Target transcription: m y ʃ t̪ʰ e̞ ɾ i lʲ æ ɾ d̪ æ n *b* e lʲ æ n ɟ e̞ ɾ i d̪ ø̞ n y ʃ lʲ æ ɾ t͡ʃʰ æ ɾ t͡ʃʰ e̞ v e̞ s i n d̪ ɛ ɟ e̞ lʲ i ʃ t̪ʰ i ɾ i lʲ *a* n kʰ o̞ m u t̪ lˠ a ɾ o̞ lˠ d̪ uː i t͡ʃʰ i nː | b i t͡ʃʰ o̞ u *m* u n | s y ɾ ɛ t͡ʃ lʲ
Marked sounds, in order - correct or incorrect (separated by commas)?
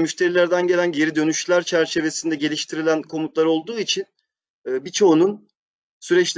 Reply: incorrect, incorrect, incorrect